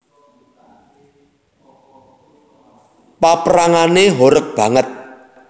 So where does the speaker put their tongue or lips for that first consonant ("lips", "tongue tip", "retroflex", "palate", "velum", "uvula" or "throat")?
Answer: lips